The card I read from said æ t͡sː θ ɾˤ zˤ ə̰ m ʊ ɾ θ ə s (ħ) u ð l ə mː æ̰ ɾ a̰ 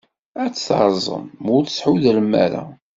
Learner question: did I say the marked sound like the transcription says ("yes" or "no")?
yes